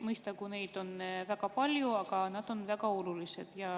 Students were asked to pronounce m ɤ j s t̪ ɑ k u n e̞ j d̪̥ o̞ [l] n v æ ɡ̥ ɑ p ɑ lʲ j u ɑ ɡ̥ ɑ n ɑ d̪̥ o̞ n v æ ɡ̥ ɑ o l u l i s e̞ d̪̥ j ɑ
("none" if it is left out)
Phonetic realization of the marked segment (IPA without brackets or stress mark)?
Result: none